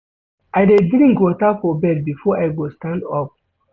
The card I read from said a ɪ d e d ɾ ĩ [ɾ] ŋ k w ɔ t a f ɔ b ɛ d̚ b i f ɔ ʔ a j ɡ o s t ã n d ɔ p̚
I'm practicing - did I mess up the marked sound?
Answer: yes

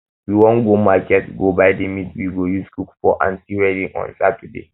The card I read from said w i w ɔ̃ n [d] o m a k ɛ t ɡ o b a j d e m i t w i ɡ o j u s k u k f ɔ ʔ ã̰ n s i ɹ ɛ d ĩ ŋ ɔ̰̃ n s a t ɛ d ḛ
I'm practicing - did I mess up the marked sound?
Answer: yes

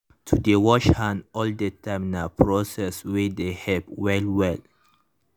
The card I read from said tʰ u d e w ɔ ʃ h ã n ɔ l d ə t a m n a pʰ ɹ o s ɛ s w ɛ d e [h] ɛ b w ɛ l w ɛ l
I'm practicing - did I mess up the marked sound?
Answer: no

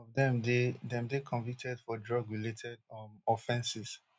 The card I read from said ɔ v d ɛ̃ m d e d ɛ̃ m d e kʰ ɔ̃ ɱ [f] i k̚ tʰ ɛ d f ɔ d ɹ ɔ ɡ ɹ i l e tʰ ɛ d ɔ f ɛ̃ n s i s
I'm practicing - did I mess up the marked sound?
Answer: yes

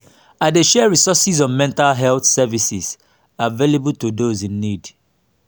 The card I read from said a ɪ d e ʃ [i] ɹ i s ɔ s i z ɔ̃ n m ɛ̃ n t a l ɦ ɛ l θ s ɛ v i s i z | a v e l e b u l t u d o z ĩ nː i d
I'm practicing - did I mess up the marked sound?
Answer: yes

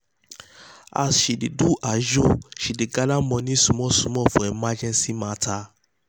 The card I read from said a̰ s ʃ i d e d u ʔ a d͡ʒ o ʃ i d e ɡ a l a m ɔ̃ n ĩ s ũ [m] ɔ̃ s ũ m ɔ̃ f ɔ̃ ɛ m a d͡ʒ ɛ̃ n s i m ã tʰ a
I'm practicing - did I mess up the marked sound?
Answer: no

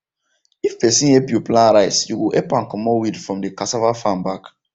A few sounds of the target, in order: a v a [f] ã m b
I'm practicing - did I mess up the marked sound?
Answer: no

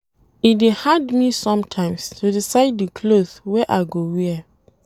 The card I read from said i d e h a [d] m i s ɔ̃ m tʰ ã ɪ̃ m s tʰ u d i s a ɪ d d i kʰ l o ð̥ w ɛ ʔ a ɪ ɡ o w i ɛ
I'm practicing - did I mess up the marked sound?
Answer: no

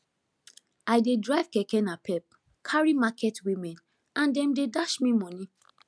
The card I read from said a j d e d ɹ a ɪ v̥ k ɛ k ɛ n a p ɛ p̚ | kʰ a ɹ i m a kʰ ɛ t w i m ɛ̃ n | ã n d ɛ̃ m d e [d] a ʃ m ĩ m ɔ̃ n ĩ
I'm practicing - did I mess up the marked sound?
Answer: no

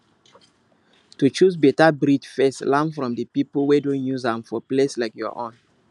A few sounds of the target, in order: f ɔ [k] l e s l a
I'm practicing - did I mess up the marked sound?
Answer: yes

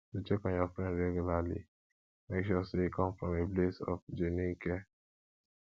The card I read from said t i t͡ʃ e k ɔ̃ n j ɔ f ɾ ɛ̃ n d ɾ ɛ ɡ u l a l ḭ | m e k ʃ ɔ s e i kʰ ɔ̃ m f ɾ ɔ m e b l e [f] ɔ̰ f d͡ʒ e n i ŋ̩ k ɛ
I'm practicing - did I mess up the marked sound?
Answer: yes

